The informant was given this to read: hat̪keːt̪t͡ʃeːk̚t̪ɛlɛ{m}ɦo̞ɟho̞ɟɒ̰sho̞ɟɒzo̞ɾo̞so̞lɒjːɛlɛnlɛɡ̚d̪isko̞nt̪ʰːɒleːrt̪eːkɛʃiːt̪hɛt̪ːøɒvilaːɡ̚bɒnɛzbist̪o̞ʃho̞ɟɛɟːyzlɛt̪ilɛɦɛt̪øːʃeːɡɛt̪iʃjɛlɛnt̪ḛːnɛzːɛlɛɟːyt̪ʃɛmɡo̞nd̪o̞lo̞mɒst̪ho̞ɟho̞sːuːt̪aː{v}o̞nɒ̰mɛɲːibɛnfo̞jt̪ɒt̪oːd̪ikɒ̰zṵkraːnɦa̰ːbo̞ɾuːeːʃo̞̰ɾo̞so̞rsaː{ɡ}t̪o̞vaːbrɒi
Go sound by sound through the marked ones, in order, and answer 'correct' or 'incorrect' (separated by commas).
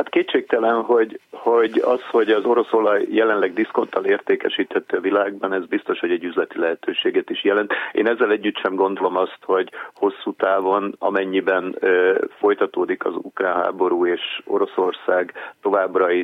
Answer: incorrect, correct, correct